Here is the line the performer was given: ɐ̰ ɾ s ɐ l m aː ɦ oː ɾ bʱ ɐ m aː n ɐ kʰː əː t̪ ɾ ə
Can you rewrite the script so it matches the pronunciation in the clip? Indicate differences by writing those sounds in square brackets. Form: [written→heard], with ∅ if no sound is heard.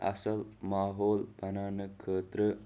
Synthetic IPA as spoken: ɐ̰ [ɾ→∅] s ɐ l m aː ɦ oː [ɾ→l] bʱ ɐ [m→n] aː n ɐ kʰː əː t̪ ɾ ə